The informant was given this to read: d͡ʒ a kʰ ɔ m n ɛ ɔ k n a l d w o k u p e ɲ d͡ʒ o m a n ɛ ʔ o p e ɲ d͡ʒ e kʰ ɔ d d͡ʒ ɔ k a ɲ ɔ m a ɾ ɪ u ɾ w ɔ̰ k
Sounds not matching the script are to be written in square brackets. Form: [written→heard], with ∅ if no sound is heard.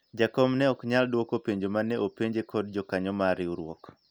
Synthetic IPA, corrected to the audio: d͡ʒ a [kʰ→k] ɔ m n ɛ ɔ k [n→ɲ] a l d w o k [u→o] p e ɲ d͡ʒ o m a n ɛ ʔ o p e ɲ d͡ʒ e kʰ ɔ d d͡ʒ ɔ k a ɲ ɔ m a ɾ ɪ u ɾ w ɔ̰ k